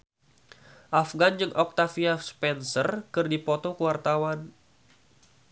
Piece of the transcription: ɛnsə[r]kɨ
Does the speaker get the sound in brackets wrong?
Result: no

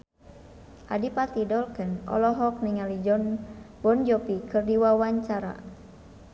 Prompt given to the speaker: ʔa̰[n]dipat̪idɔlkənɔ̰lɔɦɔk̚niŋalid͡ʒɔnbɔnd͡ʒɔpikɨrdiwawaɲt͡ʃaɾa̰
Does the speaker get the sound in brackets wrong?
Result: yes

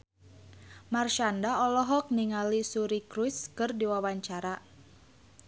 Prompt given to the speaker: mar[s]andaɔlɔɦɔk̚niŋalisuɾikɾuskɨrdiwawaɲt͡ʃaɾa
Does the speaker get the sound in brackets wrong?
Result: yes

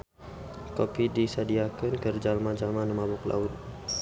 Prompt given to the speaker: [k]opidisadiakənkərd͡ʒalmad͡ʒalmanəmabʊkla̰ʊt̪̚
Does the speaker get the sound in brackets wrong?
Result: no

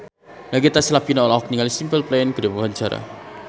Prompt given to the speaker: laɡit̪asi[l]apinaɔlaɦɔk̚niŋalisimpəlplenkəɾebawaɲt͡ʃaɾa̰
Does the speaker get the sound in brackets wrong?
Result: no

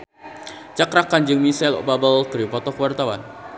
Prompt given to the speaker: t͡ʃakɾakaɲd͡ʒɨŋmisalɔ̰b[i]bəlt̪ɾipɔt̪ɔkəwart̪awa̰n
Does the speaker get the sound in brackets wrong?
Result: yes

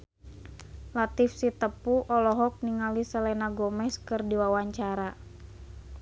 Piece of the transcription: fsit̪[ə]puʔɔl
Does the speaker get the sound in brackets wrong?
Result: no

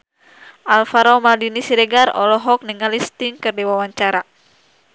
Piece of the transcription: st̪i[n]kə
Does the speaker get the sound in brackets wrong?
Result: yes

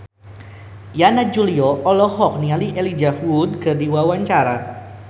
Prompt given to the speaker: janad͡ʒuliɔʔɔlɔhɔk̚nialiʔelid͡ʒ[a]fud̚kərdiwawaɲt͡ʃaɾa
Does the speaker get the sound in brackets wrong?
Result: no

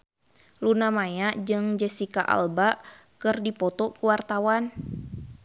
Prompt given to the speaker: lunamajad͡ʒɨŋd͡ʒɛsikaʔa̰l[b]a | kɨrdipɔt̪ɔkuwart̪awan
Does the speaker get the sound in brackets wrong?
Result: no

